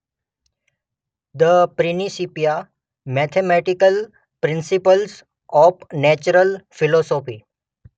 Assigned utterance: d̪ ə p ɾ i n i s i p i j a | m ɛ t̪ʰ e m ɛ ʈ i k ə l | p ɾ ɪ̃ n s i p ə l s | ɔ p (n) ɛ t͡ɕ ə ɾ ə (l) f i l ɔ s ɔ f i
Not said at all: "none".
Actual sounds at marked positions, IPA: n, l

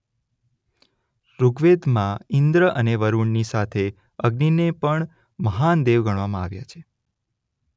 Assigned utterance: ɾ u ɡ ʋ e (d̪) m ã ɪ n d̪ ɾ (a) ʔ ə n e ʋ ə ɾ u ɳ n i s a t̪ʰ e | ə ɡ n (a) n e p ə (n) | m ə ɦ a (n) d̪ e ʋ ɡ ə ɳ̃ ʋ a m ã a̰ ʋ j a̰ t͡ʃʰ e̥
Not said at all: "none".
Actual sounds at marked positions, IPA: d̪, ə, i, ɳ, n

